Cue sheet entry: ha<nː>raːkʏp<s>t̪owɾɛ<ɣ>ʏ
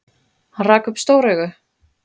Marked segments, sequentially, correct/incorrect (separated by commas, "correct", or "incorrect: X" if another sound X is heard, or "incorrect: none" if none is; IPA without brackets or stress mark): incorrect: n, correct, correct